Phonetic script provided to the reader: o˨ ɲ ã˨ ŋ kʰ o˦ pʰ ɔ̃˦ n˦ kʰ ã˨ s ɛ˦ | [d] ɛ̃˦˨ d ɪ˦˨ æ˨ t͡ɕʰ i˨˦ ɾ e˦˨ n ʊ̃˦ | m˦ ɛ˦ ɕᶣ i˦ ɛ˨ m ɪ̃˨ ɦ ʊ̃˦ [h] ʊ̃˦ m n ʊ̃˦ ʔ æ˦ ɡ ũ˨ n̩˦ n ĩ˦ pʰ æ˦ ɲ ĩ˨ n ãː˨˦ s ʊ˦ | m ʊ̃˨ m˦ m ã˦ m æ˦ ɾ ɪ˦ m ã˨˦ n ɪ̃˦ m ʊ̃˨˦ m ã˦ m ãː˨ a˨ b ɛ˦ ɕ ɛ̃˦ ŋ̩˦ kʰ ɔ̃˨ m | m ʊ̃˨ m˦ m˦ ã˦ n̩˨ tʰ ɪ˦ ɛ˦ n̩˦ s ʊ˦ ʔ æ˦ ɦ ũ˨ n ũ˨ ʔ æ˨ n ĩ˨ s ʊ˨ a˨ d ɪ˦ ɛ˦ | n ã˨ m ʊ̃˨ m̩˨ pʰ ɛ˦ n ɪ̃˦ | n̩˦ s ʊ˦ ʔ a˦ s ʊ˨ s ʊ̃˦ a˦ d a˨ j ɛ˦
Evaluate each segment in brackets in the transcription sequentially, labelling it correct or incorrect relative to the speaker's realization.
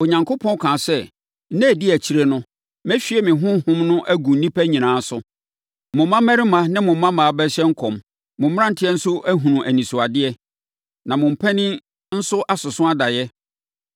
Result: incorrect: n, correct

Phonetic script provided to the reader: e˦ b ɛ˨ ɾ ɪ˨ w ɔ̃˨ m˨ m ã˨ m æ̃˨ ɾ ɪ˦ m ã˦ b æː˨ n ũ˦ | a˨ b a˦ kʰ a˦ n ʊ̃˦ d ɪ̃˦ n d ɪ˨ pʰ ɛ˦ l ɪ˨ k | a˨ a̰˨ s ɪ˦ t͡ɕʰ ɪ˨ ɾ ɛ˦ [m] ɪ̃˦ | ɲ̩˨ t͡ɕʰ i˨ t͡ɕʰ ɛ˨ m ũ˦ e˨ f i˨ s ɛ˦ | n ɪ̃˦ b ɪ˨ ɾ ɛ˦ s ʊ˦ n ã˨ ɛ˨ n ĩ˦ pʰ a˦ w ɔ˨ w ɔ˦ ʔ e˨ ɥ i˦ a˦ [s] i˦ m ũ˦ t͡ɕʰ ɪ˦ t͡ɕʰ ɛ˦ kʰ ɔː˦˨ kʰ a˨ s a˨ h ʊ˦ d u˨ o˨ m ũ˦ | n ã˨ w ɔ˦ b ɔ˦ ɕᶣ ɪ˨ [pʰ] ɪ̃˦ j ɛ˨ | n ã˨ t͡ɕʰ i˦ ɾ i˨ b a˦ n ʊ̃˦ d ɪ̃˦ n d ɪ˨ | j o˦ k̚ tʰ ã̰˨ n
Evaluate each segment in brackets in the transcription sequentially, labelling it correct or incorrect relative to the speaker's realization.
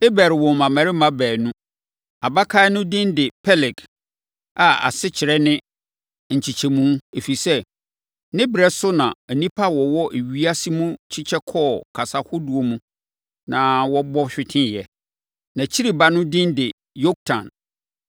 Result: incorrect: n, correct, incorrect: tʰ

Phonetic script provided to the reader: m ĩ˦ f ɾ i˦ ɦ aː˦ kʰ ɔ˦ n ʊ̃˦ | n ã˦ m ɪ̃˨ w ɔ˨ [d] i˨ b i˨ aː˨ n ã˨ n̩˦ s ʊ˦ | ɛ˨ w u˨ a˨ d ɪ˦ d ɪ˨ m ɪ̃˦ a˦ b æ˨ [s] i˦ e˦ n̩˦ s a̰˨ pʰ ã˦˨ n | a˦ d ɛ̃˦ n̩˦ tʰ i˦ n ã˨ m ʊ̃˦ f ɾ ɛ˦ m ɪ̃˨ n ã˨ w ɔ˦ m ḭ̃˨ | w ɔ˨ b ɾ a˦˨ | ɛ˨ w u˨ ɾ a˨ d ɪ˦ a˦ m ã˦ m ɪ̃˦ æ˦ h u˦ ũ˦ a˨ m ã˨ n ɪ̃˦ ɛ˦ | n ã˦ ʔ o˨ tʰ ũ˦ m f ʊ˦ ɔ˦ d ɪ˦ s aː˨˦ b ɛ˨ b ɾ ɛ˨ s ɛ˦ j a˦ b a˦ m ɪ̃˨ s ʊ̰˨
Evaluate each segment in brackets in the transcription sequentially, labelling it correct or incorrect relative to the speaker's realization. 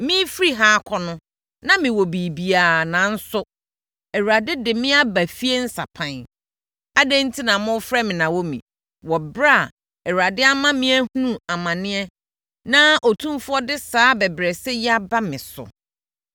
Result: incorrect: b, incorrect: f

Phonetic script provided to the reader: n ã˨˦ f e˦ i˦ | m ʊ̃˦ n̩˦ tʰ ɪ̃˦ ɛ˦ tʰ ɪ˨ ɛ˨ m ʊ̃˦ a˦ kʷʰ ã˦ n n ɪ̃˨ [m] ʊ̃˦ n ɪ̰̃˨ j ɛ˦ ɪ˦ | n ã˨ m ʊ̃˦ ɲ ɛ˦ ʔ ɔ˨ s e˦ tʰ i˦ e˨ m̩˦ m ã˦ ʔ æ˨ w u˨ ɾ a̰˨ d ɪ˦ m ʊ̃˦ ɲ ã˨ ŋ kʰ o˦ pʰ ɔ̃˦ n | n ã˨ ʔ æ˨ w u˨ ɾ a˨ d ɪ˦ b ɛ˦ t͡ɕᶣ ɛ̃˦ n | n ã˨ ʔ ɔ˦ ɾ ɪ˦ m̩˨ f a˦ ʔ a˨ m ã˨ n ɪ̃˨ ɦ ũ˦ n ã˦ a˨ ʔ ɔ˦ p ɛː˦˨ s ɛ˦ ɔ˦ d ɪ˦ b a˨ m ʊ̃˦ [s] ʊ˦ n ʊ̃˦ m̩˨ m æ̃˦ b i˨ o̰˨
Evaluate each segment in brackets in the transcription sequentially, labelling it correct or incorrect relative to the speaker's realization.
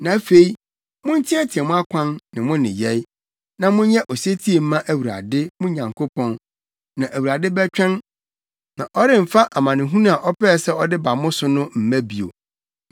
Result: correct, correct

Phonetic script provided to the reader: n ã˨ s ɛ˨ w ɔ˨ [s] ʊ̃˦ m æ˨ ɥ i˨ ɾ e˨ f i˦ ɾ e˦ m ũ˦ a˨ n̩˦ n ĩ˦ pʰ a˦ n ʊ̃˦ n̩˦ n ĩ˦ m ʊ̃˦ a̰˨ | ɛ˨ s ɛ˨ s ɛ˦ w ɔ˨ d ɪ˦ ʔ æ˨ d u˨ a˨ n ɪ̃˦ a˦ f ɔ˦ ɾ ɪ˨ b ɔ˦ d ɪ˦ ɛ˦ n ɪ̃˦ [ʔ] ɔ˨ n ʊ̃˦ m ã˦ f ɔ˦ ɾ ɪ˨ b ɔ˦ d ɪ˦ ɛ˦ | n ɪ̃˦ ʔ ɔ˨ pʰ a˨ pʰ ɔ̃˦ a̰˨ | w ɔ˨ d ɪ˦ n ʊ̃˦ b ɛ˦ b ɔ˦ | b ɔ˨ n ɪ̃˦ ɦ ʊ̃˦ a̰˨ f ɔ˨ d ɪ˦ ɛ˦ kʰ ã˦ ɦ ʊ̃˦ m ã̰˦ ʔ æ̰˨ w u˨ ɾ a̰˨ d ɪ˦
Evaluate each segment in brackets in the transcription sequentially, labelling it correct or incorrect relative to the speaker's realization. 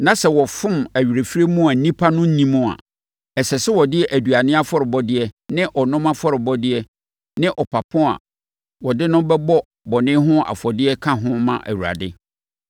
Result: incorrect: f, correct

